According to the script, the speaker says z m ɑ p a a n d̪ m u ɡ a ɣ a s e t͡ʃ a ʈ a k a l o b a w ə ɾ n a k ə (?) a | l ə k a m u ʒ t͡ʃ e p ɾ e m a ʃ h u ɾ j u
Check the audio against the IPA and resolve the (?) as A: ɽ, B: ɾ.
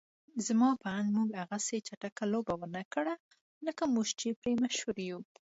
A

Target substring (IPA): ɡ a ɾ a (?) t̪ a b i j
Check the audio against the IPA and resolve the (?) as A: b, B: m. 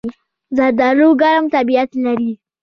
B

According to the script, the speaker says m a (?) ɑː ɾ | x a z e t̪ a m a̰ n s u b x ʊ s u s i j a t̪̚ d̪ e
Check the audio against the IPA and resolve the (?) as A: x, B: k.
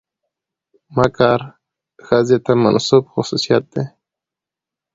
B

